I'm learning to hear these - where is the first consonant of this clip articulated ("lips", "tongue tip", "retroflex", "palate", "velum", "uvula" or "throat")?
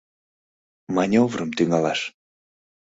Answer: lips